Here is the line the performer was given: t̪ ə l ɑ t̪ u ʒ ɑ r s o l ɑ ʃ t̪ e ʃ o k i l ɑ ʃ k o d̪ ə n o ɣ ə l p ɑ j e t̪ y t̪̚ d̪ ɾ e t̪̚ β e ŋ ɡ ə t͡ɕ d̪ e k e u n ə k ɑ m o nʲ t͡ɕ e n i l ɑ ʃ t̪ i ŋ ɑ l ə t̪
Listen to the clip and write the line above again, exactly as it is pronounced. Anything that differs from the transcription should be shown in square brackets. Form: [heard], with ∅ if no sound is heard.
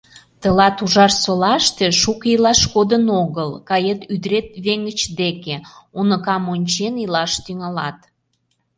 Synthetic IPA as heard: t̪ ə l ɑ t̪ u ʒ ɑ r s o l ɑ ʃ t̪ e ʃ [u] k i l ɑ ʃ k o d̪ ə n o ɣ ə l [k] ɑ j e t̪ y [∅] d̪ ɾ e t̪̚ β e ŋ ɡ ə t͡ɕ d̪ e k e u n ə k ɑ m o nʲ t͡ɕ e n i l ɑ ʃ t̪ [y] ŋ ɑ l [ɑ] t̪

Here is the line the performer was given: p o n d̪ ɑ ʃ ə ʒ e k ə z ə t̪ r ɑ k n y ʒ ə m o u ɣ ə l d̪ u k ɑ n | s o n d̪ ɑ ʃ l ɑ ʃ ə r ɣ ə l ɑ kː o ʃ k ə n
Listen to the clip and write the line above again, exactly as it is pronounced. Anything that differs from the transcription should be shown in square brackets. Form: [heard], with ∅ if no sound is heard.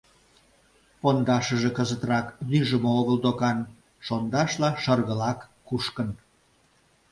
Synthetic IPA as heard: p o n d̪ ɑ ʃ ə ʒ e k ə z ə t̪ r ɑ k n y ʒ ə m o [o] ɣ ə l d̪ [o] k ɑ n | [ʃ] o n d̪ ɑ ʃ l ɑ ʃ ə r ɣ ə l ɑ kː [u] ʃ k ə n

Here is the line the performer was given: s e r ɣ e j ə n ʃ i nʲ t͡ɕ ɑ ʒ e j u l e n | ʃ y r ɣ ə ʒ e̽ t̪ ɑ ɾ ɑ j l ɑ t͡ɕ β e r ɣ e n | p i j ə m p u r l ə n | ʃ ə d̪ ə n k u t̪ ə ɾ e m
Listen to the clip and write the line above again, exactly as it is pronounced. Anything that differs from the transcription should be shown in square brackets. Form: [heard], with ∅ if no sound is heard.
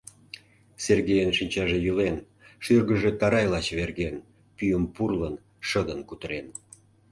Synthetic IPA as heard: s e r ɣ e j ə n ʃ i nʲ t͡ɕ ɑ ʒ e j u l e n | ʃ y r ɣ ə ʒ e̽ t̪ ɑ ɾ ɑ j l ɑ t͡ɕ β e r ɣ e n | p [y] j ə m p u r l ə n | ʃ ə d̪ ə n k u t̪ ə ɾ e [n]

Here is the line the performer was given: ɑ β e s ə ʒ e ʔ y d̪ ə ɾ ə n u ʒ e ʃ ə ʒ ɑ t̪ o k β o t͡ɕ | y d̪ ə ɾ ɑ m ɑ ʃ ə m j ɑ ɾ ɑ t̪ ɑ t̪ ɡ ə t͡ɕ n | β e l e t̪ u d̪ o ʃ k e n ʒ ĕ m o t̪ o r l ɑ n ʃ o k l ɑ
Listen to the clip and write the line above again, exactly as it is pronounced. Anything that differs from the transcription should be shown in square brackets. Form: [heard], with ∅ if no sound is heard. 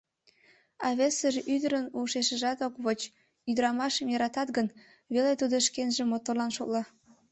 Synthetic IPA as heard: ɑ β e s ə ʒ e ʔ y d̪ ə ɾ ə n u [ʃ] e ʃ ə ʒ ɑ t̪ o k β o t͡ɕ | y d̪ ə ɾ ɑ m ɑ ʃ ə m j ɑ ɾ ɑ t̪ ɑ t̪ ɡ ə [∅] n | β e l e t̪ u d̪ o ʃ k e n ʒ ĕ m o t̪ o r l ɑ n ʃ o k l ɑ

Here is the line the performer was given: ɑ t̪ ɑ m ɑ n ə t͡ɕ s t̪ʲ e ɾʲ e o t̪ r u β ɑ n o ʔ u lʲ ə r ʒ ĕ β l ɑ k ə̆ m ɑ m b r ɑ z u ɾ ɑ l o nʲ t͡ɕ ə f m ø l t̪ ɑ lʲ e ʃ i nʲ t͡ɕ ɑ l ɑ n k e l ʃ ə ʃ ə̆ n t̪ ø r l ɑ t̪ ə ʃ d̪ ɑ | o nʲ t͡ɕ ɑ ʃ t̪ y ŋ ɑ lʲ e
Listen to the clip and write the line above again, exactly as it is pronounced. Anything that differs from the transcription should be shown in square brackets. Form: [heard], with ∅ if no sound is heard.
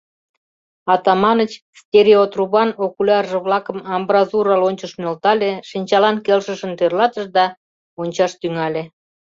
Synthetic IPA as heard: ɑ t̪ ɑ m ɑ n ə t͡ɕ s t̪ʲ e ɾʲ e o t̪ r u β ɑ n o [k] u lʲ [ɑ] r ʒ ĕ β l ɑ k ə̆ m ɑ m b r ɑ z u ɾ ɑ l o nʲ t͡ɕ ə [ʃ] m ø l t̪ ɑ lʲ e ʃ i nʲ t͡ɕ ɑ l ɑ n k e l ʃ ə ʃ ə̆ n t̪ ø r l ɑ t̪ ə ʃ d̪ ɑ | o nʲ t͡ɕ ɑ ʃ t̪ y ŋ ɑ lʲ e

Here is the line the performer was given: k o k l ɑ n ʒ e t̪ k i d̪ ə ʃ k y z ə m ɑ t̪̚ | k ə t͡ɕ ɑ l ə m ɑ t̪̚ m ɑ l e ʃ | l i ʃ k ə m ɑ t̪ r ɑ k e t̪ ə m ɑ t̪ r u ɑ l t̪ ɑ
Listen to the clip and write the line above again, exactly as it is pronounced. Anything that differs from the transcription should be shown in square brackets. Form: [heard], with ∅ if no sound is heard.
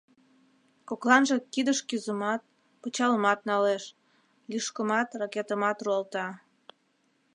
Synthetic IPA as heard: k o k l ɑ n ʒ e [∅] k i d̪ ə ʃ k y z ə m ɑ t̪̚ | [p] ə t͡ɕ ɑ l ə m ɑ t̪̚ [n] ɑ l e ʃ | l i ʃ k ə m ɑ t̪ r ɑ k e t̪ ə m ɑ t̪ r u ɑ l t̪ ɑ

